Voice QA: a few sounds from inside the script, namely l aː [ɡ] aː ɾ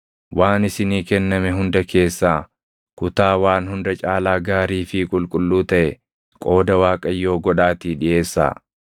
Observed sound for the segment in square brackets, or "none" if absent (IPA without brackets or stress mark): ɡ